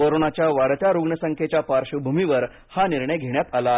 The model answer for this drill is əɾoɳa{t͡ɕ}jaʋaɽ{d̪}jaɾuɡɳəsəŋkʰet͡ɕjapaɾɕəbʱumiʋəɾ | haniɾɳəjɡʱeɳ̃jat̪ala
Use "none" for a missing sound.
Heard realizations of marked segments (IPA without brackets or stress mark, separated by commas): t͡ɕ, t̪